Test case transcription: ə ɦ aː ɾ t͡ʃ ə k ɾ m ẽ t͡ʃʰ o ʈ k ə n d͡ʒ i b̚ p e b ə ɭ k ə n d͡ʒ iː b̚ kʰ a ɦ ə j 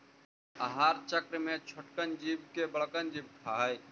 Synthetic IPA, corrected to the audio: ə ɦ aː ɾ t͡ʃ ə k ɾ m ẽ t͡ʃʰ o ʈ k ə n d͡ʒ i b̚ k e b ə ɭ k ə n d͡ʒ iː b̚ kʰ a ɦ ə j